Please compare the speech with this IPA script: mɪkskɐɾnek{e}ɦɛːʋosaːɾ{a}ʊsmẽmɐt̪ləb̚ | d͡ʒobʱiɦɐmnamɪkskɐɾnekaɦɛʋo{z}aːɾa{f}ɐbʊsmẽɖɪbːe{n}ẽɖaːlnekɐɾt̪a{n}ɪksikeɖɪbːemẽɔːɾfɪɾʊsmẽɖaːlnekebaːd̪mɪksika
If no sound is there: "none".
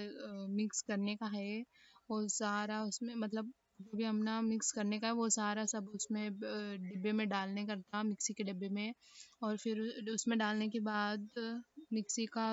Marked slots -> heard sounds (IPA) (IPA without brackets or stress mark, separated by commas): a, a, s, s, m, m